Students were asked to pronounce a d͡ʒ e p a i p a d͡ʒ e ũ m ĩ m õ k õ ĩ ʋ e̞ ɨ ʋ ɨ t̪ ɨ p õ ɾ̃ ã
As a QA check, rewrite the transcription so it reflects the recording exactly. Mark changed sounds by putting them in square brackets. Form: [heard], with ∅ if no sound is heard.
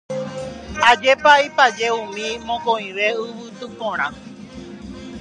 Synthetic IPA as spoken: a d͡ʒ e p a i p a d͡ʒ e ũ m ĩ m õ k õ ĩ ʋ e̞ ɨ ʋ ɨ t̪ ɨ p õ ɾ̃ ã